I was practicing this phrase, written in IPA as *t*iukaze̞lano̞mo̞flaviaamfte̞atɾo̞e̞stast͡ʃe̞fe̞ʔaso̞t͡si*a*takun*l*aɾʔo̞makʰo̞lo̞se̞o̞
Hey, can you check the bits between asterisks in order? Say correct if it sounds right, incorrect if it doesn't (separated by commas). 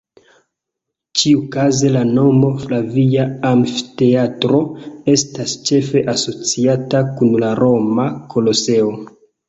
incorrect, correct, correct